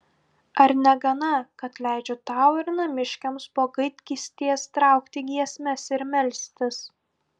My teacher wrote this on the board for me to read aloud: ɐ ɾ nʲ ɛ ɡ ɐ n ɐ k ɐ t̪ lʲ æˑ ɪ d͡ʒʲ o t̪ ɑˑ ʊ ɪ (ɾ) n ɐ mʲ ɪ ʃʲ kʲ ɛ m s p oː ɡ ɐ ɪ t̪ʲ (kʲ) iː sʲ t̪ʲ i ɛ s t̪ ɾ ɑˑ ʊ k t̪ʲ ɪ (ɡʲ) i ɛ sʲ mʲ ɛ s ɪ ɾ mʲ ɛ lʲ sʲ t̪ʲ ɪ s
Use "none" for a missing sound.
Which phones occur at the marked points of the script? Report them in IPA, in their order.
ɾ, kʲ, ɡʲ

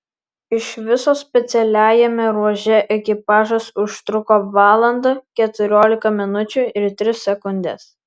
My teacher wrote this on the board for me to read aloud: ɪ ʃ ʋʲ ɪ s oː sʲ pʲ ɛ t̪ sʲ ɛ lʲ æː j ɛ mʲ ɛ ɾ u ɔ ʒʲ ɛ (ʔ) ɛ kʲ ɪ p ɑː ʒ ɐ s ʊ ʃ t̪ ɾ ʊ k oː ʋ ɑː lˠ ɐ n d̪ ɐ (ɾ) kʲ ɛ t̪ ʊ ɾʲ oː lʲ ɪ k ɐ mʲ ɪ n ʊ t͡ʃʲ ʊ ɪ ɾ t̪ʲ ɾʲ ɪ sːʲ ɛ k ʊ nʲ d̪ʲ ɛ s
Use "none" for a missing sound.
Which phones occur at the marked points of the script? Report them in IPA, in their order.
ʔ, none

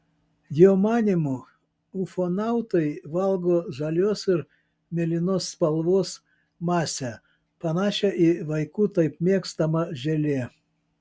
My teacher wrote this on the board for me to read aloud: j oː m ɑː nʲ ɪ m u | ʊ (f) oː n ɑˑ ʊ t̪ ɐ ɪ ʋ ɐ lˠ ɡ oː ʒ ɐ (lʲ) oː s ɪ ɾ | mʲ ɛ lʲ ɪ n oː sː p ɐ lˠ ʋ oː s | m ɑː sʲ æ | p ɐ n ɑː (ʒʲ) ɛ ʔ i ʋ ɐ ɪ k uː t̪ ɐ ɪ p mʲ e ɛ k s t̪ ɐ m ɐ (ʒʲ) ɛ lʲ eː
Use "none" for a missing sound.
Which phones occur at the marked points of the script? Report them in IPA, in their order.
f, lʲ, ʃʲ, ʒʲ

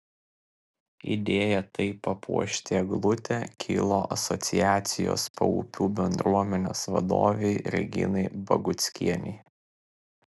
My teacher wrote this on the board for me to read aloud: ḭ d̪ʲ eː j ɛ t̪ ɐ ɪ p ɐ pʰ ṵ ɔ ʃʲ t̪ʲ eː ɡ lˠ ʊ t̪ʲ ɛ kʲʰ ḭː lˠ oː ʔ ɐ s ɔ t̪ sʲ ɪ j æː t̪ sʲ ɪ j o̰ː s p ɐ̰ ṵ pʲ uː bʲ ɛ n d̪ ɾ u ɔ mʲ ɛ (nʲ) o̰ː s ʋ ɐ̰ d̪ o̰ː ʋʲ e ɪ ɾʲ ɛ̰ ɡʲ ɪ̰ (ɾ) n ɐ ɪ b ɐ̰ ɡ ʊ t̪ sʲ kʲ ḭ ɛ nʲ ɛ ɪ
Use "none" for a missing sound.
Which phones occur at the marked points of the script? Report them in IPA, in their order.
nʲ, none

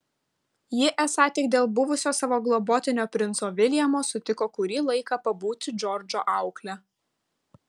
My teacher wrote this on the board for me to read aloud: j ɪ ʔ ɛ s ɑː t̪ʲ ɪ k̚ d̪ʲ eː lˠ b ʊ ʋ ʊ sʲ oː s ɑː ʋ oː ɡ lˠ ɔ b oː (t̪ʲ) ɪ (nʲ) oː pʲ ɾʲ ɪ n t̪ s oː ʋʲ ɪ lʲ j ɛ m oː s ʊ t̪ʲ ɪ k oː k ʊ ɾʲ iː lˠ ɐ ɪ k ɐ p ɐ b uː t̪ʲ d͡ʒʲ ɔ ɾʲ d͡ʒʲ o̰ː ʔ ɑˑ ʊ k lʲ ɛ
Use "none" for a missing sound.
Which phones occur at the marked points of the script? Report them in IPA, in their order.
t̪ʲ, nʲ

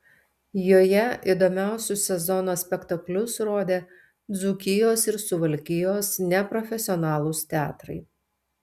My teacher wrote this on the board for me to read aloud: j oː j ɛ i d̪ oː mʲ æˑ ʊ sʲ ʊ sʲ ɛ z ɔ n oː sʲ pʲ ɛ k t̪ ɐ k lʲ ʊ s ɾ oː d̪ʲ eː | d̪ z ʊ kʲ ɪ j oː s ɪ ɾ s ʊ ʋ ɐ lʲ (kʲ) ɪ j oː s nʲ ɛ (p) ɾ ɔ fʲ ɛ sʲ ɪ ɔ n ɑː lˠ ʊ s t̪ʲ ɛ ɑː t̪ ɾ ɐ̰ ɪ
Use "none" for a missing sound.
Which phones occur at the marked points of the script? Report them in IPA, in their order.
kʲ, p

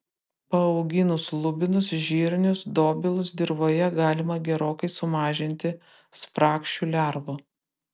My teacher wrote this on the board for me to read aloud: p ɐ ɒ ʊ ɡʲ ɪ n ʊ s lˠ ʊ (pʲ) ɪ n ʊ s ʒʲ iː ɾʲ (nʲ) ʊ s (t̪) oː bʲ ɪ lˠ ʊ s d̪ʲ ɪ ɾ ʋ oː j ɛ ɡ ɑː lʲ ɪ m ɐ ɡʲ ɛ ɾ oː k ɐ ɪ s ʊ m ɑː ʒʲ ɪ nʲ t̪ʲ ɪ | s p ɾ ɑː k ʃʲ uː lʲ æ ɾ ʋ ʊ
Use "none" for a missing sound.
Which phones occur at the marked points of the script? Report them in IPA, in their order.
bʲ, nʲ, d̪

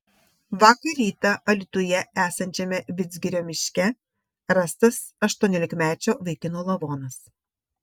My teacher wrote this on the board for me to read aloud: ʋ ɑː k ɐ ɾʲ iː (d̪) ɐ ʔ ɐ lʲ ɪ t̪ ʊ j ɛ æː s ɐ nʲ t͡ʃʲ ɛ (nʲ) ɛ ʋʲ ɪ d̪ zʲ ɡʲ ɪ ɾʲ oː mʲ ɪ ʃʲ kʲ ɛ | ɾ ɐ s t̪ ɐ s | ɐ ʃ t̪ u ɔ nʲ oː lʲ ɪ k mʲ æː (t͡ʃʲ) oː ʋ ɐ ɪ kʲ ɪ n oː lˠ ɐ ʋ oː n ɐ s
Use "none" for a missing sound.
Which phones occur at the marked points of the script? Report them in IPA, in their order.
t̪, mʲ, t͡ʃʲ

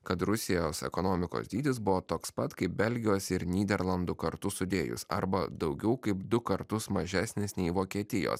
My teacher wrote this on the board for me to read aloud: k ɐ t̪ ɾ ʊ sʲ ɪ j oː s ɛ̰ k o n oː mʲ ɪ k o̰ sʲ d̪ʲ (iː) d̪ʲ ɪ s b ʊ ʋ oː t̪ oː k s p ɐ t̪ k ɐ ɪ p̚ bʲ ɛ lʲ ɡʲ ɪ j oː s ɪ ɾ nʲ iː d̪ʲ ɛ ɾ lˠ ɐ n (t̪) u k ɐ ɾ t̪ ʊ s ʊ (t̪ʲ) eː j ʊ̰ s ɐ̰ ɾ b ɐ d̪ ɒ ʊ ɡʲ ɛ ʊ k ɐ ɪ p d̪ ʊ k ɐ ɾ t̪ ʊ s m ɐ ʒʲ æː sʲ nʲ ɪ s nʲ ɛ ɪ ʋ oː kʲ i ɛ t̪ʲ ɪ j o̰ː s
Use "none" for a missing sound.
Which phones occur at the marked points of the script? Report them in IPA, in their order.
iː, d̪, d̪ʲ

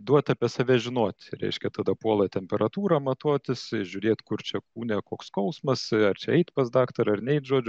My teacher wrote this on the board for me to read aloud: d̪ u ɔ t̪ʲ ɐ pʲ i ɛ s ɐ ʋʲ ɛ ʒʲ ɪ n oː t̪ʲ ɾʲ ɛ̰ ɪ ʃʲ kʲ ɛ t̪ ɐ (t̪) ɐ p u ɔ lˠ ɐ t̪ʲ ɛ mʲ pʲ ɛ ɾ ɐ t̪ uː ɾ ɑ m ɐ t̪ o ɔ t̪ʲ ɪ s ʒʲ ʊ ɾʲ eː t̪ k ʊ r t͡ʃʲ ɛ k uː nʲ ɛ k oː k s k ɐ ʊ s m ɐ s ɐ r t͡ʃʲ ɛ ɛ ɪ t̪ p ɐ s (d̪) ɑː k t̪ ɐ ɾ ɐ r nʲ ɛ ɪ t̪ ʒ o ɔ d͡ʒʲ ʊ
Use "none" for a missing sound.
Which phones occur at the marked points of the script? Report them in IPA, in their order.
d̪, d̪

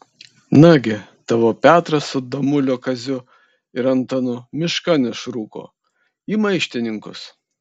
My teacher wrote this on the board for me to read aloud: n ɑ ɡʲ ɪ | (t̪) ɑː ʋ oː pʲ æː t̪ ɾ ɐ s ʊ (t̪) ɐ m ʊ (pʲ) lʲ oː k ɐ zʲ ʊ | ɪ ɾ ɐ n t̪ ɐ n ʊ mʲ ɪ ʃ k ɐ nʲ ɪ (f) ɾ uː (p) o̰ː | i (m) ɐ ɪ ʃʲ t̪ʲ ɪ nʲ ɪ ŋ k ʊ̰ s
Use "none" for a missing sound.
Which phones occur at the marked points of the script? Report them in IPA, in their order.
t̪, d̪, none, ʃ, k, m

